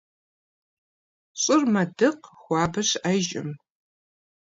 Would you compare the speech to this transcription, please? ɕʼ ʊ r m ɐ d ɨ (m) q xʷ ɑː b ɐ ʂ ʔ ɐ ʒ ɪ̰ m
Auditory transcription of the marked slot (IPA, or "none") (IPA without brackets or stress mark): none